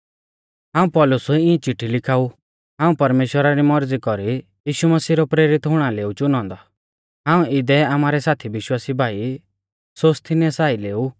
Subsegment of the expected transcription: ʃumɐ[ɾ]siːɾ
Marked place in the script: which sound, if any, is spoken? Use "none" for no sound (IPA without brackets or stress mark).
none